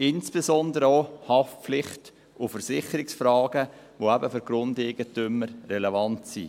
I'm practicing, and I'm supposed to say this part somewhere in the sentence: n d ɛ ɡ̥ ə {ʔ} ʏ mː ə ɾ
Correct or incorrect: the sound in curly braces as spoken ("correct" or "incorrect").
incorrect